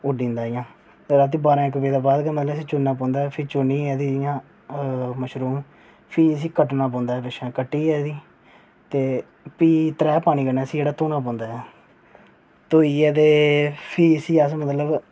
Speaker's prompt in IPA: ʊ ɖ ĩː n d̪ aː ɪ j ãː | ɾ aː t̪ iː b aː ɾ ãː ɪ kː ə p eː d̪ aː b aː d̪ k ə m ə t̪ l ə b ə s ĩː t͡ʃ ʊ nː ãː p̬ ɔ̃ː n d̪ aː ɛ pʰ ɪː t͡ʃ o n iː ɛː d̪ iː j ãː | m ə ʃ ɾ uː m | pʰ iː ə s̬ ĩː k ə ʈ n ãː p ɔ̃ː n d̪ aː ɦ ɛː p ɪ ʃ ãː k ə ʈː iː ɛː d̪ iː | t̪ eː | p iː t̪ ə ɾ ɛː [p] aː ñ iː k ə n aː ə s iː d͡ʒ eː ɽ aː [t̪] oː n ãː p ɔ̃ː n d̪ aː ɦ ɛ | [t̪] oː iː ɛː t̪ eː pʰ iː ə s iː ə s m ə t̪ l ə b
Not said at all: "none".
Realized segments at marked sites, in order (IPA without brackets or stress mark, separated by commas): p, t̪, t̪